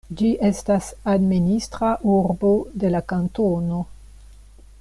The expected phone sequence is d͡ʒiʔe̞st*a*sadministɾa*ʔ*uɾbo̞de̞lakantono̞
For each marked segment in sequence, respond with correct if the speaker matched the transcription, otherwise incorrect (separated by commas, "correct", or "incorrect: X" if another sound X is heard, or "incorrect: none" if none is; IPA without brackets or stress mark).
correct, correct